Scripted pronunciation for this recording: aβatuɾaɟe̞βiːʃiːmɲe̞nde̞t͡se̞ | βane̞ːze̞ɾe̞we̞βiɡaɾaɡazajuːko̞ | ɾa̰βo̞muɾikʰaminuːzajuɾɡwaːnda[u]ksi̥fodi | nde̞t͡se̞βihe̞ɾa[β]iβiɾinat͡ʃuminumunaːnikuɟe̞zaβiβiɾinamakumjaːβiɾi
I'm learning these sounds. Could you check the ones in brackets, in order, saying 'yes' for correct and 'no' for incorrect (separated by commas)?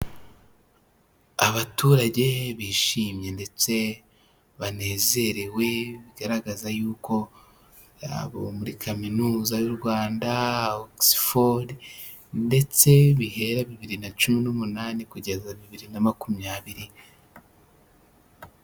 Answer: no, yes